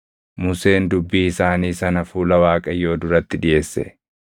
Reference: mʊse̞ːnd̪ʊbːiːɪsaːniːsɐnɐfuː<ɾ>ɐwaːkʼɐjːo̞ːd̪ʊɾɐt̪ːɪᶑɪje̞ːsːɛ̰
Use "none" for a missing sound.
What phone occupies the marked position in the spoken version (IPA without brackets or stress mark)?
l